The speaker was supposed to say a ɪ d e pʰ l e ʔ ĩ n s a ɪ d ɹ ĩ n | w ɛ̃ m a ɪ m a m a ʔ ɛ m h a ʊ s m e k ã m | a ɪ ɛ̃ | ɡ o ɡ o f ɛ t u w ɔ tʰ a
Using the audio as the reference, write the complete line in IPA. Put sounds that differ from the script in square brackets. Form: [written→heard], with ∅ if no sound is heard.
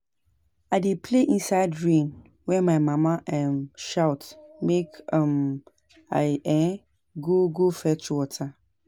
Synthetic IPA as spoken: a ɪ d e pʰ l e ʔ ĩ n s a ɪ d ɹ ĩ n | w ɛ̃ m a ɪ m a m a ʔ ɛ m [h→ʃ] a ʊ [s→t] m e k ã m | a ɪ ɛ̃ | ɡ o ɡ o f ɛ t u w ɔ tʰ a